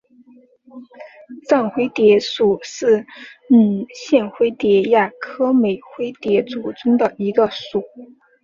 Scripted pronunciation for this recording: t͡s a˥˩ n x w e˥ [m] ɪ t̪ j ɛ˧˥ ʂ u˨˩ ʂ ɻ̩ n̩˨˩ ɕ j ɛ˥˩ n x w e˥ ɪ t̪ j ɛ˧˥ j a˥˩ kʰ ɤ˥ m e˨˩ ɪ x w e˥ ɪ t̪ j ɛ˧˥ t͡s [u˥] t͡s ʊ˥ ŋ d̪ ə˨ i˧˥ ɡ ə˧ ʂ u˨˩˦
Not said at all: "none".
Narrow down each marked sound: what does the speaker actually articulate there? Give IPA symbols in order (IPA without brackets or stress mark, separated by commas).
none, u˨˩